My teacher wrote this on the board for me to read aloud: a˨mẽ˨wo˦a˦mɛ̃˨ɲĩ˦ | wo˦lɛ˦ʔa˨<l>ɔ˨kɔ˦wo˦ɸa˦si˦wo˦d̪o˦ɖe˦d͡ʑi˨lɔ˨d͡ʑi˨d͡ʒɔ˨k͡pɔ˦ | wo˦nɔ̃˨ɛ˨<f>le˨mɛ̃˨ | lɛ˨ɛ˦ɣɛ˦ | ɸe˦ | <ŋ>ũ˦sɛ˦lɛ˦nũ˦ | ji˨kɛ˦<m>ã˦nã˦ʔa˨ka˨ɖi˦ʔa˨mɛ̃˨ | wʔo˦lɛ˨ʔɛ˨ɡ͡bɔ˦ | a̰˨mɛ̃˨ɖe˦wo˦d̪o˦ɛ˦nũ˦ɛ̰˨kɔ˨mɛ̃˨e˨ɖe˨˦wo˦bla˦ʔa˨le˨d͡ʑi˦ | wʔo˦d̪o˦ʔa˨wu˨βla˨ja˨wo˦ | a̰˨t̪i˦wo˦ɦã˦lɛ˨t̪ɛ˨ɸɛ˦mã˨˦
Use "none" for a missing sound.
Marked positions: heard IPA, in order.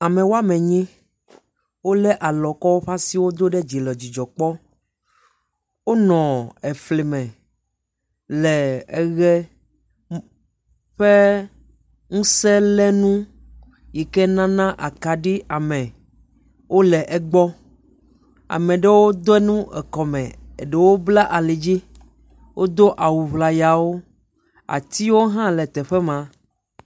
l, f, ŋ, n

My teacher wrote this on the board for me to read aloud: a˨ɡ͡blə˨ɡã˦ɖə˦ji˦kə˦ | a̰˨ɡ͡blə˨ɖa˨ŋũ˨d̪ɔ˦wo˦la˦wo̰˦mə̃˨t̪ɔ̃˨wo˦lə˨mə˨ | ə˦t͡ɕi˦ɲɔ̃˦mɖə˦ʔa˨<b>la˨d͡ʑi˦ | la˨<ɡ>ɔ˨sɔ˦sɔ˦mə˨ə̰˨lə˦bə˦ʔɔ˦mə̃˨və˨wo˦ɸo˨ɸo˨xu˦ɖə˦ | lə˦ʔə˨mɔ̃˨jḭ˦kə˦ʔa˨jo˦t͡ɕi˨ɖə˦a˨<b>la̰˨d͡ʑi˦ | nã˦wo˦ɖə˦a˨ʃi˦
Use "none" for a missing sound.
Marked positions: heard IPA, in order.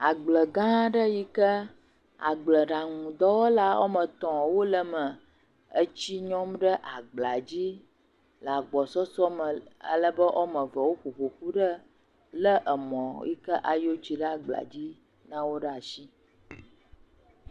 ɡ͡b, ɡ͡b, ɡ͡b

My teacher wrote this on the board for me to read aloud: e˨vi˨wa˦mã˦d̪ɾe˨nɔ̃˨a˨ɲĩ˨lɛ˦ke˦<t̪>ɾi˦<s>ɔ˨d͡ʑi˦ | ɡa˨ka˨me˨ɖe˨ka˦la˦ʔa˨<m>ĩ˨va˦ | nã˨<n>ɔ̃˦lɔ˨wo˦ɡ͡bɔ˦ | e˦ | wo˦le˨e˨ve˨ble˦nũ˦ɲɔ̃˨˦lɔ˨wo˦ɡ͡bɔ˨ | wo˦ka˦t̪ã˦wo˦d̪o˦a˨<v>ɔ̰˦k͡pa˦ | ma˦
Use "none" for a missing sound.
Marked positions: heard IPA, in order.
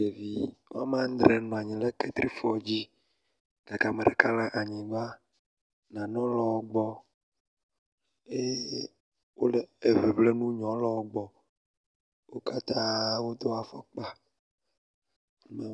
t̪, f, ɲ, n, f

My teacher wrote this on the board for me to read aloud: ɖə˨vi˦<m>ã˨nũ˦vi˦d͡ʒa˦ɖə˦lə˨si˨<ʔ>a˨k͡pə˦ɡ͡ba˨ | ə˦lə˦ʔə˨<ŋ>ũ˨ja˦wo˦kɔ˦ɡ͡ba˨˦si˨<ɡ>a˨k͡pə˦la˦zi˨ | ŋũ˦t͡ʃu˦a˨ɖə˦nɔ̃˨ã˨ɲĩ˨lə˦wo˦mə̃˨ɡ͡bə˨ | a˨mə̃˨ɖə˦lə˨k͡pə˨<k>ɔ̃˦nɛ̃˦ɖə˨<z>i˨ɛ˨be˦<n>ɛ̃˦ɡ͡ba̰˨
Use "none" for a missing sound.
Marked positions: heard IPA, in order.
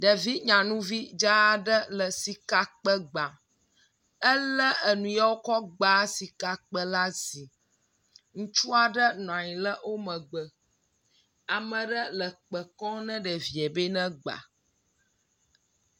ɲ, k, n, k, k, v, n

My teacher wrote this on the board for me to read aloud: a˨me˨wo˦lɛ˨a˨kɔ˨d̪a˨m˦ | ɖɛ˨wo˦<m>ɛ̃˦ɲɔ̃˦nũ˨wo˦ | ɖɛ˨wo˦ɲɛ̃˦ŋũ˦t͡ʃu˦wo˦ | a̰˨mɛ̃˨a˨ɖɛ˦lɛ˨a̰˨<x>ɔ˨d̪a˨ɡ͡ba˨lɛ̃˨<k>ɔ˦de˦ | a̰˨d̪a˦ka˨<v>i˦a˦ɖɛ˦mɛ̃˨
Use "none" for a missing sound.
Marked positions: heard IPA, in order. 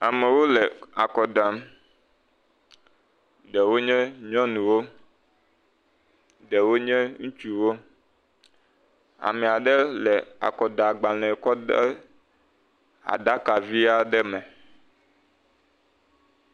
ɲ, k, k, v

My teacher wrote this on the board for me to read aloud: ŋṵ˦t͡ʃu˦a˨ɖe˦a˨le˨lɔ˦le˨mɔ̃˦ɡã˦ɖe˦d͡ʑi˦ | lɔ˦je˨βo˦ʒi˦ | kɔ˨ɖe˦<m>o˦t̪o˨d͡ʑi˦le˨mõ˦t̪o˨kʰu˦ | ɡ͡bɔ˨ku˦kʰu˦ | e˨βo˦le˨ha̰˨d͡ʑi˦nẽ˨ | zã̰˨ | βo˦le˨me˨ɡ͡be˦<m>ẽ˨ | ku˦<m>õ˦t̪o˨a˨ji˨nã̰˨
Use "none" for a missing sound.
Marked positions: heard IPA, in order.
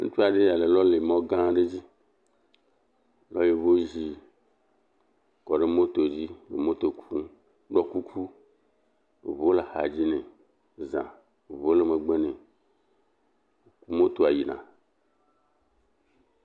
m, n, m

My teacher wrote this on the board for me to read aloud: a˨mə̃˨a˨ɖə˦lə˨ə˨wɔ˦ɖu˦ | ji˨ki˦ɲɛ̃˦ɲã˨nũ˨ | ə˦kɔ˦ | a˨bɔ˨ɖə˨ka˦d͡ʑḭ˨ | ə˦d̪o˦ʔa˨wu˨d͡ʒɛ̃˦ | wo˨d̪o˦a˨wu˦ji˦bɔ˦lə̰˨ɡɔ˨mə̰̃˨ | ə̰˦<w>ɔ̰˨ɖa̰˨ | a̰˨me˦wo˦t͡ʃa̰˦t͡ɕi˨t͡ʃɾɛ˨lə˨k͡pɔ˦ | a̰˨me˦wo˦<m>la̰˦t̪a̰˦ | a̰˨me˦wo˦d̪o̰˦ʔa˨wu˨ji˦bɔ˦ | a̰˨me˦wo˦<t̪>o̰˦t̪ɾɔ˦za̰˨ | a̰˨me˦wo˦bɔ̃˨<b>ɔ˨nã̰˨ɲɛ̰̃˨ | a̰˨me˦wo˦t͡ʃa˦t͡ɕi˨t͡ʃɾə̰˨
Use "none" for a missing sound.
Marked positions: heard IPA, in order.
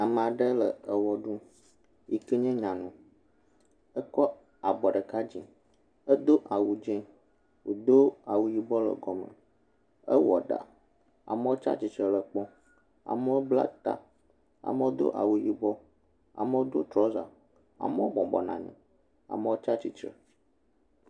w, b, d̪, b

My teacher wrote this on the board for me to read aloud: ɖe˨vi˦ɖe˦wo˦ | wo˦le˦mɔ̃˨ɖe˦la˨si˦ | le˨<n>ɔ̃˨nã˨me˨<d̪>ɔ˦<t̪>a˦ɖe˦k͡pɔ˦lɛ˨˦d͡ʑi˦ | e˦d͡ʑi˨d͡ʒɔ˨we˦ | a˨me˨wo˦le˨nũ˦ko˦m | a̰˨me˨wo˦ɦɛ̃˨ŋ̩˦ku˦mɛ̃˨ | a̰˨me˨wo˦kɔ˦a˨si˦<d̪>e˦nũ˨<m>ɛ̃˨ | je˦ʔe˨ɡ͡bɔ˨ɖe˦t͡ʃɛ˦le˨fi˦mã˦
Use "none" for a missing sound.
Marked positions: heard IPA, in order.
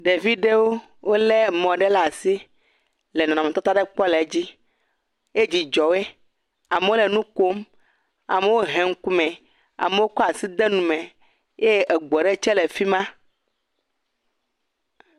n, t̪, t̪, d̪, m

